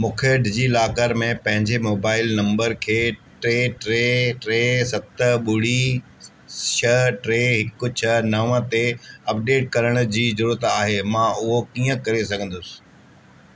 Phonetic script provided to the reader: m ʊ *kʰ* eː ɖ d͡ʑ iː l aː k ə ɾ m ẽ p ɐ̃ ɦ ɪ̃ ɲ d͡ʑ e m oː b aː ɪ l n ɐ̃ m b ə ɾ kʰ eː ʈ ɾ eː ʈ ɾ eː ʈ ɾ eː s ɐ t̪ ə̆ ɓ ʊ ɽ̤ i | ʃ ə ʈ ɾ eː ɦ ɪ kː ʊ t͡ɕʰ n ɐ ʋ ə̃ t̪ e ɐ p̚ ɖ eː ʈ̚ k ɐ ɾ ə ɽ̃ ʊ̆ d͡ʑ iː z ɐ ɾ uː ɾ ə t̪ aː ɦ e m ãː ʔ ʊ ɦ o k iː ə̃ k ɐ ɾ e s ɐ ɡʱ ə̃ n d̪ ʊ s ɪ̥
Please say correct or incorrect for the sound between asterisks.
correct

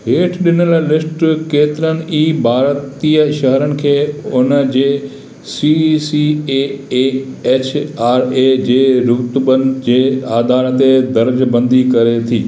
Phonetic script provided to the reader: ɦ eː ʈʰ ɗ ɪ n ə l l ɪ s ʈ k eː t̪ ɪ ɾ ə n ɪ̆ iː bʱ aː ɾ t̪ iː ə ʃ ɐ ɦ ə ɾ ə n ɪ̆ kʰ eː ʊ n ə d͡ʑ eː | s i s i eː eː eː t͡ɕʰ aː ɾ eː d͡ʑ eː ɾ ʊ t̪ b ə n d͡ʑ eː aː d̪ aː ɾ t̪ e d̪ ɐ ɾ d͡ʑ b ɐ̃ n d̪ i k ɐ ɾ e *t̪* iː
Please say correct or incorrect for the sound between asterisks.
incorrect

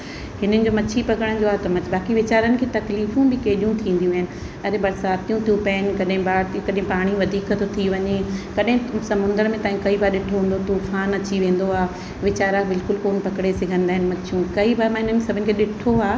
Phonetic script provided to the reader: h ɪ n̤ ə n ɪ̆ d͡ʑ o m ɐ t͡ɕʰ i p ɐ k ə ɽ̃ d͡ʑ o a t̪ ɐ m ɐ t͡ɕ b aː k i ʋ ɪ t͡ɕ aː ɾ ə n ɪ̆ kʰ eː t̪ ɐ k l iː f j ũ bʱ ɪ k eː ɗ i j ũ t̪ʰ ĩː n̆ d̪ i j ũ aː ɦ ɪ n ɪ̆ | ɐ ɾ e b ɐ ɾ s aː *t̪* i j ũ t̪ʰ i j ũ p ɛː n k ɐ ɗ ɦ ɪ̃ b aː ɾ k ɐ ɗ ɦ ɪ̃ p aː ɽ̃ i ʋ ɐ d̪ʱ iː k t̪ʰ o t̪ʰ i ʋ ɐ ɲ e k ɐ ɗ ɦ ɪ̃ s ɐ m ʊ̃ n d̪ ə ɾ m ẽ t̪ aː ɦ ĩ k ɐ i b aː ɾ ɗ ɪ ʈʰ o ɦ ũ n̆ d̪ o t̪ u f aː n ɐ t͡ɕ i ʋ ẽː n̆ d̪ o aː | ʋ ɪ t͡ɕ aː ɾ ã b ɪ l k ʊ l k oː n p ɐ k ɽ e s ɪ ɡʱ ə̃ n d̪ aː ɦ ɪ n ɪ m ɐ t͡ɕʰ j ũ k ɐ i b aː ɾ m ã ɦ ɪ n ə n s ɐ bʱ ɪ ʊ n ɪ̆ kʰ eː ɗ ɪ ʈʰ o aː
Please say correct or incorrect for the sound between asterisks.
correct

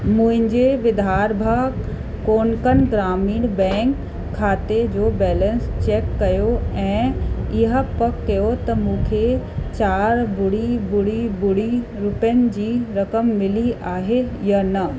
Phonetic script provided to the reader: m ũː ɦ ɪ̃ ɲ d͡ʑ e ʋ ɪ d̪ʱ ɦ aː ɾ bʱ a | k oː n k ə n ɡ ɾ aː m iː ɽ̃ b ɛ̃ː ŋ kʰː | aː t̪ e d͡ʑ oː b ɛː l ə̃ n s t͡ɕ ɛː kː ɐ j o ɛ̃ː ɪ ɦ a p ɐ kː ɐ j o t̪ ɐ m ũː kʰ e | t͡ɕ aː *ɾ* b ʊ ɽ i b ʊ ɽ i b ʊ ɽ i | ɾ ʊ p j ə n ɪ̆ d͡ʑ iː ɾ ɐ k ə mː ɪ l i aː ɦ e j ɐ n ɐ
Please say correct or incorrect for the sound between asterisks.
correct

